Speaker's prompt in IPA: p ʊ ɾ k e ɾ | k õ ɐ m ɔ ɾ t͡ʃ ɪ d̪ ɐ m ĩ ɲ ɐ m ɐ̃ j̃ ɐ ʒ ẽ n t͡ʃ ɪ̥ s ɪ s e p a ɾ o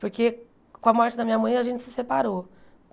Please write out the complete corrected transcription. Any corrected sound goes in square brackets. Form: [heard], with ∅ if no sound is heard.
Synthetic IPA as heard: p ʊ ɾ k e [∅] | k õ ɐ m ɔ ɾ t͡ʃ ɪ d̪ ɐ m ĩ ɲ ɐ m ɐ̃ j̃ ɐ ʒ ẽ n t͡ʃ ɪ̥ s ɪ s e p a ɾ o